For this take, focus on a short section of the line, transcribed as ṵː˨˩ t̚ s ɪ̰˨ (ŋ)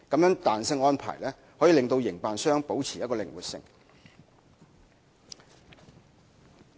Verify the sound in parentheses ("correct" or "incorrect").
correct